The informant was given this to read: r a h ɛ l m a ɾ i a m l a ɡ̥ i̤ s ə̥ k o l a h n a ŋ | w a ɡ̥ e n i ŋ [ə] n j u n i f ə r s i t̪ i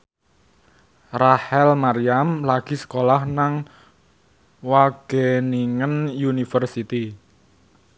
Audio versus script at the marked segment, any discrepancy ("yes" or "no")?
no